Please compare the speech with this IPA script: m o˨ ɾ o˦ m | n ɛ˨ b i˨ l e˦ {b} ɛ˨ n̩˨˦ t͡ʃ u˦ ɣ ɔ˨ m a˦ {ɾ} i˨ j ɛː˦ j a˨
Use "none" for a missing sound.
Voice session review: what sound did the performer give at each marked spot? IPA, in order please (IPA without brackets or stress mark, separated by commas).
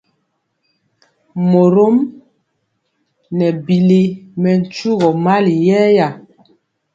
m, l